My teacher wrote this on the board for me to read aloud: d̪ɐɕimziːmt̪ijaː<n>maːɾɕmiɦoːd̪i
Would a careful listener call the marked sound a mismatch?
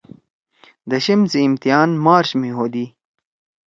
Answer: no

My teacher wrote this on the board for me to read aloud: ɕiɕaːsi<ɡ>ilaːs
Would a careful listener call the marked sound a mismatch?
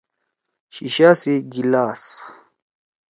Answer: no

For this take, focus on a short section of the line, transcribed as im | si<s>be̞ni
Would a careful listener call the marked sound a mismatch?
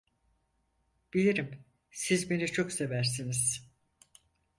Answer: yes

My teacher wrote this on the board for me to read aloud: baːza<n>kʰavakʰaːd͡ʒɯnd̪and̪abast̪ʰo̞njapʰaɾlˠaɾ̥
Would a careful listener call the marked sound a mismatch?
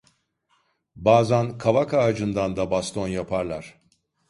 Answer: no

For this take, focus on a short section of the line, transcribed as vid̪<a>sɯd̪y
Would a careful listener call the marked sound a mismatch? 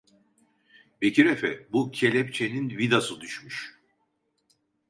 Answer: no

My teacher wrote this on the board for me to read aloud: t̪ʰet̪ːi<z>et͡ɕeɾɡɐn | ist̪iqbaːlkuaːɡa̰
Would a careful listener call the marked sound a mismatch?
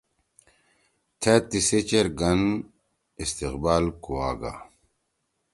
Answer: yes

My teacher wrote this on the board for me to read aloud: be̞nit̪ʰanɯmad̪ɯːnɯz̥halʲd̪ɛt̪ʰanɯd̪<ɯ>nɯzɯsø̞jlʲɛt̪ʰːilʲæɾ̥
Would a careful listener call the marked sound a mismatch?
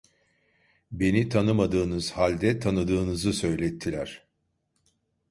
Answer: yes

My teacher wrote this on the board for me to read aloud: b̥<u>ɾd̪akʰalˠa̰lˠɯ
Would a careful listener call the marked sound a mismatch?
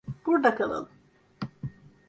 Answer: no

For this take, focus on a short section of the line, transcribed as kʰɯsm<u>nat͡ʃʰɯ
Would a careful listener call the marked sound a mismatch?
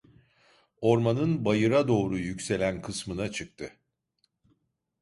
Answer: yes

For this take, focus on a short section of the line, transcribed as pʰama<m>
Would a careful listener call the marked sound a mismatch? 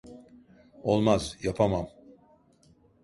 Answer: no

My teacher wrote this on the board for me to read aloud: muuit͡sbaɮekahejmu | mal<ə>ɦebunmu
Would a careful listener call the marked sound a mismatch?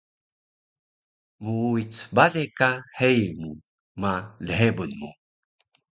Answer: no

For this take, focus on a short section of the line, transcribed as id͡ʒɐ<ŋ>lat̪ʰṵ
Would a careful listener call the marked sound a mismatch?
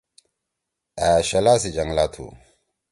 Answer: no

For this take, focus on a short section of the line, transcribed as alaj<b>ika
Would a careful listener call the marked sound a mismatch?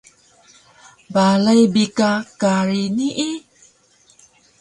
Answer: no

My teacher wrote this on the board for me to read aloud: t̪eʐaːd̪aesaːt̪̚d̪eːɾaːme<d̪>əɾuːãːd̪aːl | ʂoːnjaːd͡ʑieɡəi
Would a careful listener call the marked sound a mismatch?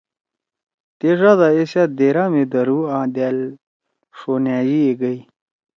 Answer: no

